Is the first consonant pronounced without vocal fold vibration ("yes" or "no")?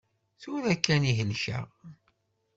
yes